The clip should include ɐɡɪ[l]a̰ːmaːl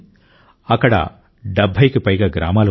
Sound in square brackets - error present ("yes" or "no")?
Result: yes